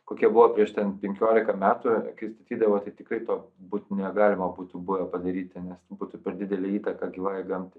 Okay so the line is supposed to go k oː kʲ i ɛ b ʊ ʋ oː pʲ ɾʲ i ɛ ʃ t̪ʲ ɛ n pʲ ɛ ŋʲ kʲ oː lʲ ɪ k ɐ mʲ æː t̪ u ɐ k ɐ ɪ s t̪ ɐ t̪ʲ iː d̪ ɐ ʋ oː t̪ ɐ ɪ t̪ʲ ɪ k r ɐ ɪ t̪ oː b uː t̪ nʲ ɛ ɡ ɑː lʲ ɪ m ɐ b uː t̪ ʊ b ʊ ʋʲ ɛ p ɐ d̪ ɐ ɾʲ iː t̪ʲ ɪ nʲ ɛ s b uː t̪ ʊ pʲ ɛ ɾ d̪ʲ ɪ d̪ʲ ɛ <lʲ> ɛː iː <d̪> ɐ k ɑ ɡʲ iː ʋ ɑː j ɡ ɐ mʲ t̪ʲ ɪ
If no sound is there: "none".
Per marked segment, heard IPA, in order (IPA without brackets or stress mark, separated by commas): lʲ, t̪